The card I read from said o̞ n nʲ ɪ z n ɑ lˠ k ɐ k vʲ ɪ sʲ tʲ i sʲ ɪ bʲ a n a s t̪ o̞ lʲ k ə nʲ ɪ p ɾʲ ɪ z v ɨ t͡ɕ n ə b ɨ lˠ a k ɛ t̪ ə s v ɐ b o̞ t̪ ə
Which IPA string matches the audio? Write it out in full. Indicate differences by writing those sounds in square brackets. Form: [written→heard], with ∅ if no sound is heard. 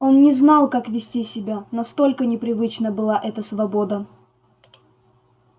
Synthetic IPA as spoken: o̞ n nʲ ɪ z n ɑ lˠ k [ɐ→a] k vʲ ɪ sʲ tʲ i sʲ ɪ bʲ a n [a→ɐ] s t̪ o̞ lʲ k ə nʲ ɪ p ɾʲ ɪ [z→∅] v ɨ t͡ɕ n ə b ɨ lˠ a [k→ʔ] ɛ t̪ ə s v ɐ b o̞ [t̪→d̪] ə